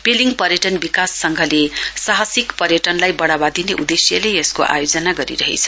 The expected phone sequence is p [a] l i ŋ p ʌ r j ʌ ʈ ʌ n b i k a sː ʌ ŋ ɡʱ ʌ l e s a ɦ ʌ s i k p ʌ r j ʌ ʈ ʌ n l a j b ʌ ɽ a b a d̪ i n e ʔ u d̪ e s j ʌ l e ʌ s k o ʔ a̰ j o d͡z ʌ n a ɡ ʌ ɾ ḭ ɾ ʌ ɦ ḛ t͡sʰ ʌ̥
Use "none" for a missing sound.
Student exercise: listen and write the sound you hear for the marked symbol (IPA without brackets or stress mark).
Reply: e